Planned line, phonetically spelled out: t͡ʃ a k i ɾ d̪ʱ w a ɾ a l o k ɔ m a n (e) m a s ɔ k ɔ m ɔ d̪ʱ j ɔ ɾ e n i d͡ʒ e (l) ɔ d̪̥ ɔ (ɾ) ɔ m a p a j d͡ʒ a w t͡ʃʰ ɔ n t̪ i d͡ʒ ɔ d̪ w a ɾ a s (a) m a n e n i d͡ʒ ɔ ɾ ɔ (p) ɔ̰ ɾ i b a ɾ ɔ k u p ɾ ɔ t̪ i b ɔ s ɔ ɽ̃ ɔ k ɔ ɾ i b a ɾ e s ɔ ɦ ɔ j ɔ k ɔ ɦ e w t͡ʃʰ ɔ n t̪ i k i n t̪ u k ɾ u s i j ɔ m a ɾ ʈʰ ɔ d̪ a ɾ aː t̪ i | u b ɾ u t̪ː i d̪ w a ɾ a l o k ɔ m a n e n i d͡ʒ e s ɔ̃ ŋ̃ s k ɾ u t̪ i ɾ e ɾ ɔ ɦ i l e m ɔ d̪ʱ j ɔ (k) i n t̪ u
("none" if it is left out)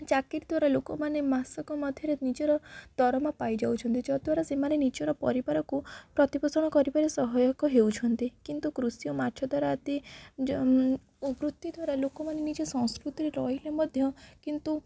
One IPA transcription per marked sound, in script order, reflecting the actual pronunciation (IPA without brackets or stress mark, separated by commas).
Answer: e, ɾ, ɾ, e, p, k